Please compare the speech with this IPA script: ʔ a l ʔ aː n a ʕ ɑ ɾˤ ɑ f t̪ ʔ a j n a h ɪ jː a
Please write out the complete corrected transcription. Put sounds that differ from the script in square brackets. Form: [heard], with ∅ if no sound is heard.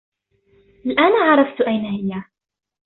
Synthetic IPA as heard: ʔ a l ʔ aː n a ʕ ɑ ɾˤ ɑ f t̪ ʔ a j n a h ɪ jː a